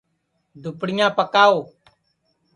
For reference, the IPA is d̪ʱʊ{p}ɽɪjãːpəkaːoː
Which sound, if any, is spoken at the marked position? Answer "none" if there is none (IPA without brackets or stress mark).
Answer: p